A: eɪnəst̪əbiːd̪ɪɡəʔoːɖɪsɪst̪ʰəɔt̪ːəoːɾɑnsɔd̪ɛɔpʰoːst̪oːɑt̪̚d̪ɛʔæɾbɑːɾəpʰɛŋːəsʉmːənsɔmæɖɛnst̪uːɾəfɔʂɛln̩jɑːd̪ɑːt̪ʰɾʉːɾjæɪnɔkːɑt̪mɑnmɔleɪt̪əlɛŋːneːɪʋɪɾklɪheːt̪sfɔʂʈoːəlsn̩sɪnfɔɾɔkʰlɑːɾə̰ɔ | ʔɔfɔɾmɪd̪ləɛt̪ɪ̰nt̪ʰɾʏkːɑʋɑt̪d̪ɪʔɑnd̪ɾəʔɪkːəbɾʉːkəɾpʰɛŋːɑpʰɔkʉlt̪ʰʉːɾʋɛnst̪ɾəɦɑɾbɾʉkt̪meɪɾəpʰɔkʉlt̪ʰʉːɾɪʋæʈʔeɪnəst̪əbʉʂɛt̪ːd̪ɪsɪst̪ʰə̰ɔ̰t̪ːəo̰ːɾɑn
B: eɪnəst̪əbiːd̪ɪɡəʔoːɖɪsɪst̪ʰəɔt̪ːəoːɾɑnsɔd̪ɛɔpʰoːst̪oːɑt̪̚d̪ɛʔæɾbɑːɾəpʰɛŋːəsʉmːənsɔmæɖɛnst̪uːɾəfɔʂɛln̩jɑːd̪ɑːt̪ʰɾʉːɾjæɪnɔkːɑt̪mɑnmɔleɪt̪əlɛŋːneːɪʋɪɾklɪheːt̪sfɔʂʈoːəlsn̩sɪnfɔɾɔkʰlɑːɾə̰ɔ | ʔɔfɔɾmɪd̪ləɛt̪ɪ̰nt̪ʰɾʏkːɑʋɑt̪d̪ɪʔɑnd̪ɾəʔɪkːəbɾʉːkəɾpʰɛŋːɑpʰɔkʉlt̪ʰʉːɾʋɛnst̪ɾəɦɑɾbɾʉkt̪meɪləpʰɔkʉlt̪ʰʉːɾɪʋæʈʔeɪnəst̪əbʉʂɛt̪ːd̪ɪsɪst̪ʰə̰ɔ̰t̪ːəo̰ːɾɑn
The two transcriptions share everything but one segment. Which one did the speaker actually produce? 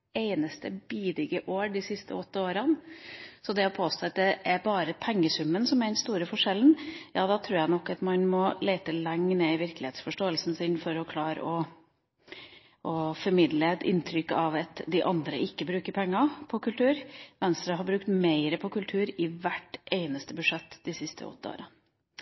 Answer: A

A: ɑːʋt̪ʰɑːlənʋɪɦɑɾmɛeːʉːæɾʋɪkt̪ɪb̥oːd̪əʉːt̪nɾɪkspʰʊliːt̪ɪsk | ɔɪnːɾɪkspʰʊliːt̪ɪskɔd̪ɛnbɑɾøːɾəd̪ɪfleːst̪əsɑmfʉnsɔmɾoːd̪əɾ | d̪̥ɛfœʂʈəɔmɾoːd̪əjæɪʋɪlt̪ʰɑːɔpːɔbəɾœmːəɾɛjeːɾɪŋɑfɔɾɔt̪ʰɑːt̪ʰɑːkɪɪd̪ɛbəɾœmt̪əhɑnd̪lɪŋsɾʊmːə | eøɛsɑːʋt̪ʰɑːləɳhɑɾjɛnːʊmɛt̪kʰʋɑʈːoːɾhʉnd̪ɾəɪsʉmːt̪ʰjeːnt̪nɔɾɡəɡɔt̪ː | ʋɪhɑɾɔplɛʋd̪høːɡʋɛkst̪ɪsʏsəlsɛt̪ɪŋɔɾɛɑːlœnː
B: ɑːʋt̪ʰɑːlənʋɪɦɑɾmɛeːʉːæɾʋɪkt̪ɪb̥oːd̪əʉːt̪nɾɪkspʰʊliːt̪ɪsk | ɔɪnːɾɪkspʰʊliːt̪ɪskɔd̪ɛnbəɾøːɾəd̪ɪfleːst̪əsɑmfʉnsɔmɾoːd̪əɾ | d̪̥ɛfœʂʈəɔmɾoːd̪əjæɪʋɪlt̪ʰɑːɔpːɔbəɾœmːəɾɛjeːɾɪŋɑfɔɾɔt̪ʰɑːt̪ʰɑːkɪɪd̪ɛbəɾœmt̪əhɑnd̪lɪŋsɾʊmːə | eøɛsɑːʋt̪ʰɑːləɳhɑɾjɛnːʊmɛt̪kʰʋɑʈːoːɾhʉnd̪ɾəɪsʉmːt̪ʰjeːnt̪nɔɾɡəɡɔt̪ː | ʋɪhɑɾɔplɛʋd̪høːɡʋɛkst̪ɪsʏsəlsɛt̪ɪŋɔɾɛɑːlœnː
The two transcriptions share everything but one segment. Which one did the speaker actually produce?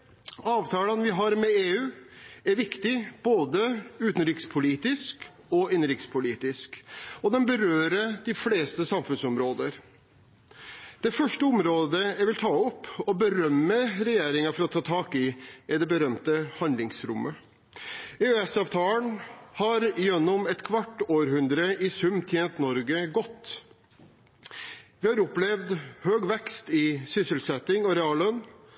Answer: B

